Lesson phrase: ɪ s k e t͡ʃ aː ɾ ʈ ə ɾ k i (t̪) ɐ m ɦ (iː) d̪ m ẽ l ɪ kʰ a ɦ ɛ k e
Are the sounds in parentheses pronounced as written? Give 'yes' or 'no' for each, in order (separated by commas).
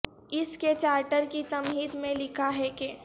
yes, yes